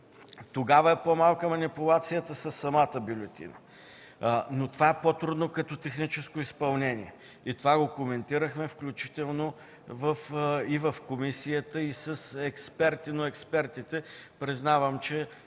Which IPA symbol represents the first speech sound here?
t̪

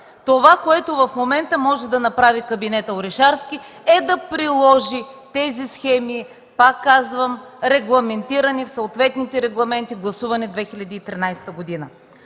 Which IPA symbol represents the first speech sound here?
t̪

